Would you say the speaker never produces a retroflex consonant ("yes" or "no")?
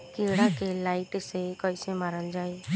no